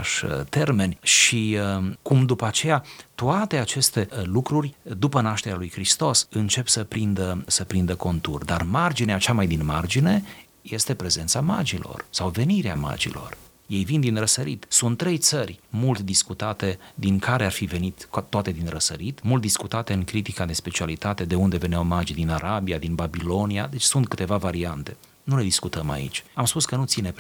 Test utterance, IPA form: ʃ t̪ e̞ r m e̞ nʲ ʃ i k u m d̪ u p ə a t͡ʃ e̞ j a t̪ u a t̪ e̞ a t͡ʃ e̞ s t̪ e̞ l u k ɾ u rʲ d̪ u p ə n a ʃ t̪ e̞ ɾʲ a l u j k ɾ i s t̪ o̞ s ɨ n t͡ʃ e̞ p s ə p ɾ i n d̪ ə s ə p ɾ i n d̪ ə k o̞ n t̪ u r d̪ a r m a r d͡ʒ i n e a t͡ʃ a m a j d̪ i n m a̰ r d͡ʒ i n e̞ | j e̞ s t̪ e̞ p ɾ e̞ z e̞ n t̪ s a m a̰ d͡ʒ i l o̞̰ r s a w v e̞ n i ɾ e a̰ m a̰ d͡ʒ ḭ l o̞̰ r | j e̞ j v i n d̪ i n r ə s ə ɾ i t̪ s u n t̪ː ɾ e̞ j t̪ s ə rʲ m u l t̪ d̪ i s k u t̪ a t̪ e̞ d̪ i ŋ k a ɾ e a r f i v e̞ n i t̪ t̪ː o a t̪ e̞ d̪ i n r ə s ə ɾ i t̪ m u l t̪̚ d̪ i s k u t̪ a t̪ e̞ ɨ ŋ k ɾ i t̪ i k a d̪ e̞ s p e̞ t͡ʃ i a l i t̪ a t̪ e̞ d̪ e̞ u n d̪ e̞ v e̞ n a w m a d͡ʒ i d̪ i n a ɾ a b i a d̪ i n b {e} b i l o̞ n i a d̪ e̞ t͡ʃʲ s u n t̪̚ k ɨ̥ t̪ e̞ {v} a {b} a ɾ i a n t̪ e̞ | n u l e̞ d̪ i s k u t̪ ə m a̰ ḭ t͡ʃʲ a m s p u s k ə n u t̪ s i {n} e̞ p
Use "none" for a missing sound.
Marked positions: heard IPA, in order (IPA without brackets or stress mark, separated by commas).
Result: a, v, v, n